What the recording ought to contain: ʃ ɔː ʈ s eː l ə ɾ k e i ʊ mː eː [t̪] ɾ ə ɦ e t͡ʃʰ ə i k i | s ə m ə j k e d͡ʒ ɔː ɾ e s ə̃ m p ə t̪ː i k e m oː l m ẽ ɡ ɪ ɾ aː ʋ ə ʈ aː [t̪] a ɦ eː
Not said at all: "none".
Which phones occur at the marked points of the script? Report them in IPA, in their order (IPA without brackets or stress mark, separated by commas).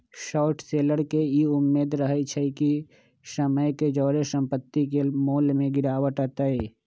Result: d̪, t̪